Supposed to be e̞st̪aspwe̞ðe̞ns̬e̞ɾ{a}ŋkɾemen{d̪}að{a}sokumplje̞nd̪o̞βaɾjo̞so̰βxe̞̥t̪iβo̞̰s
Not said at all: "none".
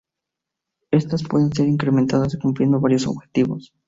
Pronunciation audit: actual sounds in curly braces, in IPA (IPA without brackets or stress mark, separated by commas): i, t̪, a